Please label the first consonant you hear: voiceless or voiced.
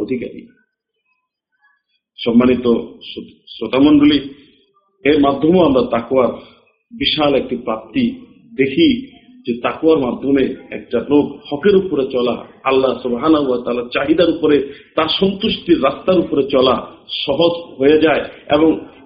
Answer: voiced